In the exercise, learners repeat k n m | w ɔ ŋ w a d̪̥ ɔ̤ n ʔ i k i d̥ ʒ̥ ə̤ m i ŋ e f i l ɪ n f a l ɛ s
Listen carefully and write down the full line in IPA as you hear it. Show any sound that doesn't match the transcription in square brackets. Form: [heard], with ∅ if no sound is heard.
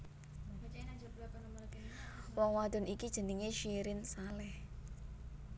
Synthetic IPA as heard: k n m | w ɔ ŋ w a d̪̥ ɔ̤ n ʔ i k i d̥ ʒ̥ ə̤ [n] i ŋ e [ʃ] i [ɾ] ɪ n [s] a l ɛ [h]